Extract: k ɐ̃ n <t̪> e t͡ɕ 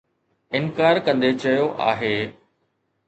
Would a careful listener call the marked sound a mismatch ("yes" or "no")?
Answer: yes